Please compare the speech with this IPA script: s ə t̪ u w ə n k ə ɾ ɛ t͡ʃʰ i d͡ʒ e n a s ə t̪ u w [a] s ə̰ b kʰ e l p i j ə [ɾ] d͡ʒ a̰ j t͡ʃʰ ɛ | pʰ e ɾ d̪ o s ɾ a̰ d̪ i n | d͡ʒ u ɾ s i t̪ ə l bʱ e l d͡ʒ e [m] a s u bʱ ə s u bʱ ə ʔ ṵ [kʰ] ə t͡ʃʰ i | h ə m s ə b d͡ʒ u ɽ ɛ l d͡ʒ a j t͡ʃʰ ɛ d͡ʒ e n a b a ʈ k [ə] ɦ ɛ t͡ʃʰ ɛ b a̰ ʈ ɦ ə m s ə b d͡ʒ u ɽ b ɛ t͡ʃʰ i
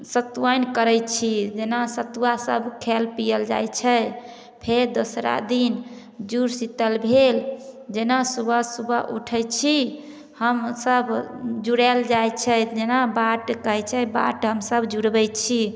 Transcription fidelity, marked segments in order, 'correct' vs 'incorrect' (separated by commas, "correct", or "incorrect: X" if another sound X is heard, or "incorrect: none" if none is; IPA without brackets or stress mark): correct, incorrect: l, incorrect: n, incorrect: ʈʰ, correct